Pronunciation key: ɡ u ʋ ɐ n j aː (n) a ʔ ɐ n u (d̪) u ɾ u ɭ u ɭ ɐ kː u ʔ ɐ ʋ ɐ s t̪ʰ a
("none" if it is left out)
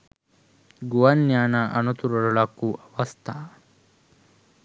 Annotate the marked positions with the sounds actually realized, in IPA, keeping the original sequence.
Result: n, t̪

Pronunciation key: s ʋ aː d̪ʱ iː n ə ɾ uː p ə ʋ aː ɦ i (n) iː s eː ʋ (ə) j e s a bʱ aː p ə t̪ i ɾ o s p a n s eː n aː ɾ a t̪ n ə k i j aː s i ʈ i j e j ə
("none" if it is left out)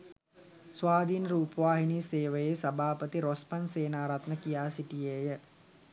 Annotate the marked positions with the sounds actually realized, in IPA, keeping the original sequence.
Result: n, ə

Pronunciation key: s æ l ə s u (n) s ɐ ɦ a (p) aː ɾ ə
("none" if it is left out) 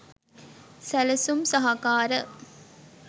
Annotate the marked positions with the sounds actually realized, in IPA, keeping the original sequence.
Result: m, k

